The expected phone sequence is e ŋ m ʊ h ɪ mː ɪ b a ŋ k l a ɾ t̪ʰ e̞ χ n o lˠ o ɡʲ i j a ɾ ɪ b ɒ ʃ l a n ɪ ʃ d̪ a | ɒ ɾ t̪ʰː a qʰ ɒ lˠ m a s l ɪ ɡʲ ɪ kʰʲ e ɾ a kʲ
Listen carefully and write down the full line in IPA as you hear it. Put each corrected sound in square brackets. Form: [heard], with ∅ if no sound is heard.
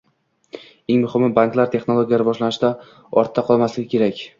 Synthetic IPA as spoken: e ŋ m ʊ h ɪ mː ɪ b a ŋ k l a ɾ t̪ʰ e̞ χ n o lˠ o ɡʲ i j a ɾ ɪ b ɒ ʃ l a n ɪ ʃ d̪ a | ɒ ɾ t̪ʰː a qʰ ɒ lˠ m a s l ɪ ɡʲ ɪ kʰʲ e ɾ a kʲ

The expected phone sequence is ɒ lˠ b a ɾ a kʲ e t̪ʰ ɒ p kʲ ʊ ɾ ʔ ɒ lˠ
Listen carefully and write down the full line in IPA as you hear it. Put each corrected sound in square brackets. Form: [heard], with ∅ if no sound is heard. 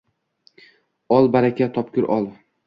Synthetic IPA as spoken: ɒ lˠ b a ɾ a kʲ [a] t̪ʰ ɒ p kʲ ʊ ɾ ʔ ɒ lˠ

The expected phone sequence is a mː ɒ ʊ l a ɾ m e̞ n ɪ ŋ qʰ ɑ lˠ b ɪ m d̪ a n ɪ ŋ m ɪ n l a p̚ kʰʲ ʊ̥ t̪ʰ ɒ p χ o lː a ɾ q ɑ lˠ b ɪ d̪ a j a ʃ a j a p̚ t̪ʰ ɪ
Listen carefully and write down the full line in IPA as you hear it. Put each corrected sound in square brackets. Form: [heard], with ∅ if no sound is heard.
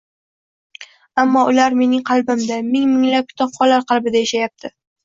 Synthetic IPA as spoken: a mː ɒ ʊ l a ɾ m e̞ n ɪ ŋ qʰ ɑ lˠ b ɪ m d̪ a [m] ɪ ŋ m ɪ [ŋ] l a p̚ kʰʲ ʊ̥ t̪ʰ ɒ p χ [ɒ] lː a ɾ q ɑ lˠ b ɪ d̪ a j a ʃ a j a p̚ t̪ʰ ɪ

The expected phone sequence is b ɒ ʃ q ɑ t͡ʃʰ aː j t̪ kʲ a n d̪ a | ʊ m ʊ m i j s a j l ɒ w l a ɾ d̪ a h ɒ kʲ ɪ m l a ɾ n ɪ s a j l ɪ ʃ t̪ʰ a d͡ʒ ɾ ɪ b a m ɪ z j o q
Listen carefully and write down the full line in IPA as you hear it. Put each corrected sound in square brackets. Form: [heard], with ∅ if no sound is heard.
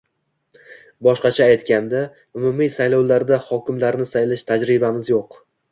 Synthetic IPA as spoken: b ɒ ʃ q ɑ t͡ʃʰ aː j t̪ kʲ a n d̪ a | ʊ m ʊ m i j s a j l ɒ w l a ɾ d̪ a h ɒ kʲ ɪ m l a ɾ n ɪ s a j l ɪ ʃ t̪ʰ a d͡ʒ ɾ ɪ b a m ɪ z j o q

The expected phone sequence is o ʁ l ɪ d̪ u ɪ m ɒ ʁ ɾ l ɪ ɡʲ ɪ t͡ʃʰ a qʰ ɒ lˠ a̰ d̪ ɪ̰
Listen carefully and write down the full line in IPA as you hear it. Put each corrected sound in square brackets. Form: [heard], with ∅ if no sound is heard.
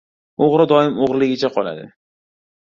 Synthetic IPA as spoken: o ʁ [ɾ] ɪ d̪ [ɒ] ɪ m [o] ʁ ɾ l ɪ ɡʲ ɪ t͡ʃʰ a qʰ ɒ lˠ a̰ d̪ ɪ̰

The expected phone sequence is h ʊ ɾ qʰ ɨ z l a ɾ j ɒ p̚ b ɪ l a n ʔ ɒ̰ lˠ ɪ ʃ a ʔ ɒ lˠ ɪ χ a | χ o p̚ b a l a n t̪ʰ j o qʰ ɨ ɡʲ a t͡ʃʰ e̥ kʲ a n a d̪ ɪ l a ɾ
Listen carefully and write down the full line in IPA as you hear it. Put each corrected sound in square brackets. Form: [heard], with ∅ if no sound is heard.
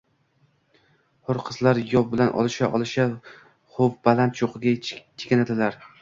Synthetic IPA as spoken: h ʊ ɾ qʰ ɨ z l a ɾ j ɒ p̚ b ɪ l a n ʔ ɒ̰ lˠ ɪ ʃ a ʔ ɒ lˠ ɪ [ʃ] a | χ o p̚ b a l a n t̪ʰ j o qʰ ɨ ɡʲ a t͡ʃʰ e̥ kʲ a n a d̪ ɪ l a ɾ

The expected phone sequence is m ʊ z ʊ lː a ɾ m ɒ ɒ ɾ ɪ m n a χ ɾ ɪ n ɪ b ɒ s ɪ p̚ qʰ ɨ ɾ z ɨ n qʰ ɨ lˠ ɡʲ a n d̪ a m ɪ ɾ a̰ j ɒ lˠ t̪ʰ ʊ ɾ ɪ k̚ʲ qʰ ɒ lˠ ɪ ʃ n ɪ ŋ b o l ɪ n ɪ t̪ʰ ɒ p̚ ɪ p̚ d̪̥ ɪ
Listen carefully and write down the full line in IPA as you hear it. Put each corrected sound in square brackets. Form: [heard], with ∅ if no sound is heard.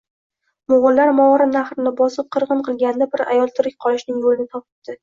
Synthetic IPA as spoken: m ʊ [ʁ] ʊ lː a ɾ m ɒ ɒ ɾ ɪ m n a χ ɾ ɪ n ɪ b ɒ s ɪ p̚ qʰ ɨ ɾ [ʁ] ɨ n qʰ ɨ lˠ ɡʲ a n d̪ a [b] ɪ ɾ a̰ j ɒ lˠ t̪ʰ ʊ ɾ ɪ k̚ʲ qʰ ɒ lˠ ɪ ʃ n ɪ ŋ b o l ɪ n ɪ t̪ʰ ɒ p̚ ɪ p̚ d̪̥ ɪ

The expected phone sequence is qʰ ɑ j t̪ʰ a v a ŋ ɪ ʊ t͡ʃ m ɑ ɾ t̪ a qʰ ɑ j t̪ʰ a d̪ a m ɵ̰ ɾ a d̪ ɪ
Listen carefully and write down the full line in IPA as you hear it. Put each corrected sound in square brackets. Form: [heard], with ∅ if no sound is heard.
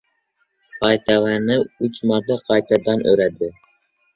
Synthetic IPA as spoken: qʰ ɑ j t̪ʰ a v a [n] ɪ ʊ t͡ʃ m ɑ ɾ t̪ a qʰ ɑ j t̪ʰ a d̪ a [n] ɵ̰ ɾ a d̪ ɪ

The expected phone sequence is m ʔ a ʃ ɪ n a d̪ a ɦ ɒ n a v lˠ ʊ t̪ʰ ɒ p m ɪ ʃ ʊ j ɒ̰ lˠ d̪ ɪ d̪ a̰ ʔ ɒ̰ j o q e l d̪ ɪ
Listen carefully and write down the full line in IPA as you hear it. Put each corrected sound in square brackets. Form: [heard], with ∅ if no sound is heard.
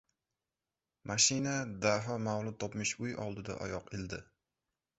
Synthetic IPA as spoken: m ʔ a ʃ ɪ n a d̪ a ɦ ɒ [m] a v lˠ ʊ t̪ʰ ɒ p m ɪ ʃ ʊ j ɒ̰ lˠ d̪ ɪ d̪ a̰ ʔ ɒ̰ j [ɒ] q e l d̪ ɪ

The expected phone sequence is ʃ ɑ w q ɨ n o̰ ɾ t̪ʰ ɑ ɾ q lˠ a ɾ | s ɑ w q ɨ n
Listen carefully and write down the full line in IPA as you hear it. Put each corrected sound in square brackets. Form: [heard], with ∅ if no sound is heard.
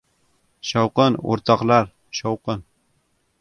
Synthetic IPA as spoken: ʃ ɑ w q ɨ n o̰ ɾ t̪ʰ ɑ [∅] q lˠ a ɾ | [ʃ] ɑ w q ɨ n

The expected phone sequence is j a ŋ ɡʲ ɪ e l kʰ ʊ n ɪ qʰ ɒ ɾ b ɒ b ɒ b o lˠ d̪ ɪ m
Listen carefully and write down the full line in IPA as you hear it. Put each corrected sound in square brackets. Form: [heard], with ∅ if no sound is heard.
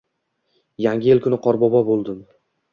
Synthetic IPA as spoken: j a ŋ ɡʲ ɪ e l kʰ ʊ n ɪ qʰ ɒ ɾ b ɒ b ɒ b o lˠ d̪ ɪ m

